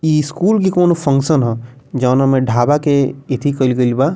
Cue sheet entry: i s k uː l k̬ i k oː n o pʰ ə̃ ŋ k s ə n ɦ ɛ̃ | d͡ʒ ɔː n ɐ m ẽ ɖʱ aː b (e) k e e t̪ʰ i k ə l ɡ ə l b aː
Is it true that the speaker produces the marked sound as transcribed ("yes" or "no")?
no